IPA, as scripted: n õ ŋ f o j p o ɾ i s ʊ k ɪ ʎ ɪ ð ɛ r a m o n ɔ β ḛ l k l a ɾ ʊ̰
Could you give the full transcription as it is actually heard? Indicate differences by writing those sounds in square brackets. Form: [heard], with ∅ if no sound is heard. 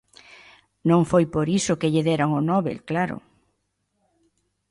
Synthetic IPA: n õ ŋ f o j p o ɾ i s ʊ k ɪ ʎ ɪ ð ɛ [ɾ] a [ŋ] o n ɔ β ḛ l k l a ɾ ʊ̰